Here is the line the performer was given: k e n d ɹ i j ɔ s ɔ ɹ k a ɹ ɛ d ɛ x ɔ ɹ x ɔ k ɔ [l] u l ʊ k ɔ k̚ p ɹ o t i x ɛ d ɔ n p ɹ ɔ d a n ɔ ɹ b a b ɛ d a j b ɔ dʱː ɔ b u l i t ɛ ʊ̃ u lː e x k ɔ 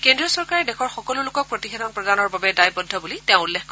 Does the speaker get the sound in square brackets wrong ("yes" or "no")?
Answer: no